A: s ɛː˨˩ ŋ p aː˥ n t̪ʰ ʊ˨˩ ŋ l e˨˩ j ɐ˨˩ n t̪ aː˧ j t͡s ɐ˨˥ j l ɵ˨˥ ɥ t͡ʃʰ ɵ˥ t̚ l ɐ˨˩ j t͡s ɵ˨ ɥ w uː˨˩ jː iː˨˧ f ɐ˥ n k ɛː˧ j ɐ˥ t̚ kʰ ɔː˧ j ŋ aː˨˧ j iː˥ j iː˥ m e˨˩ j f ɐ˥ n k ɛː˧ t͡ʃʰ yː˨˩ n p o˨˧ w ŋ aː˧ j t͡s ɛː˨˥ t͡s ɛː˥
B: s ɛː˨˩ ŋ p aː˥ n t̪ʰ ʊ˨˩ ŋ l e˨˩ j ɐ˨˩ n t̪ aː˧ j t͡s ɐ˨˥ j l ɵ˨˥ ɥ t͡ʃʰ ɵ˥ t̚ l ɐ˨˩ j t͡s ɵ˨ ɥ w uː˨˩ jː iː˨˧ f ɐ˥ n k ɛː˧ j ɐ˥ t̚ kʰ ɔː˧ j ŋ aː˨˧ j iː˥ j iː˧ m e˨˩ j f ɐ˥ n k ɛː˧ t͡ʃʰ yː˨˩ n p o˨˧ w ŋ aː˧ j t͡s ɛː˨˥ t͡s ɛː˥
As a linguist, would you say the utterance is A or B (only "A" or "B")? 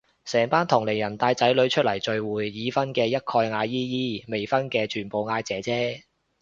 A